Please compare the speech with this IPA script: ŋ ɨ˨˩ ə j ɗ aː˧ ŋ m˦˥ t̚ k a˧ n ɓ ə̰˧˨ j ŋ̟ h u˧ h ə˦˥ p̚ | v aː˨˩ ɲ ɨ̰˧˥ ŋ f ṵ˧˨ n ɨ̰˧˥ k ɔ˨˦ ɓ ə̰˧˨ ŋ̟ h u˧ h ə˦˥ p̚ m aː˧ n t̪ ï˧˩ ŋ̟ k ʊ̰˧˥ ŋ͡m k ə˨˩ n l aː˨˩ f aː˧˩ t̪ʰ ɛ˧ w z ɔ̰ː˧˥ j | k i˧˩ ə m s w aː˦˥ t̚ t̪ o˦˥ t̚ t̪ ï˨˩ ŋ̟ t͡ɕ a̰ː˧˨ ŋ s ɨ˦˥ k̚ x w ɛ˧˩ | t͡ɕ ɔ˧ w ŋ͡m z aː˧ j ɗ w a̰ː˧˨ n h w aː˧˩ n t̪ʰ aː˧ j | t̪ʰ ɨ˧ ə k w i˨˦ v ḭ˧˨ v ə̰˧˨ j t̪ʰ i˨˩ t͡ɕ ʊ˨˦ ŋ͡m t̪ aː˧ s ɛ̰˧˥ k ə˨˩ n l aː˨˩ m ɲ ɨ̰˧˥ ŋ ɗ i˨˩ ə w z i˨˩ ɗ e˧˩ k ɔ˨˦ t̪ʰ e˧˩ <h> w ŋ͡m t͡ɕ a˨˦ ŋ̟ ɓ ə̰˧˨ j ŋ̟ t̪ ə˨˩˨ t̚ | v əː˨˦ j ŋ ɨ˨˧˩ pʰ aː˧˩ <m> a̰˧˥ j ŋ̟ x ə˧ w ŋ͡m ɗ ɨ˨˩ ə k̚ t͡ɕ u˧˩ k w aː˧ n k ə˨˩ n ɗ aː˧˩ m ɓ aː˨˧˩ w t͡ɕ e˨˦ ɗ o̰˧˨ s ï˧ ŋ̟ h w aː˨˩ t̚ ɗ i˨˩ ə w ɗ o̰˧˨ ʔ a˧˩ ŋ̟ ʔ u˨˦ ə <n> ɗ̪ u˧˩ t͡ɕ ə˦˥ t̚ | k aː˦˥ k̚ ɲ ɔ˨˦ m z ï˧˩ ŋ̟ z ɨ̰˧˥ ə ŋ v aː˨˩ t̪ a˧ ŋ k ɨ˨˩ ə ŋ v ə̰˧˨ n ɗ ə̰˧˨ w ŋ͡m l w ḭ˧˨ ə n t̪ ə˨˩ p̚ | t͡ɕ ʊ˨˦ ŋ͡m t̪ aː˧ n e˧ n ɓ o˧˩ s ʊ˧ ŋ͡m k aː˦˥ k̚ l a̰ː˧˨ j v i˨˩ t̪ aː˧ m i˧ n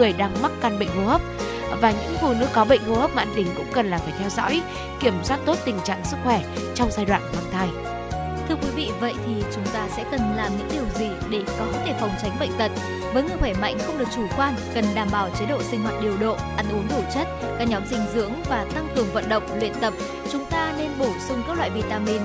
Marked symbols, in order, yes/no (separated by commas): no, yes, no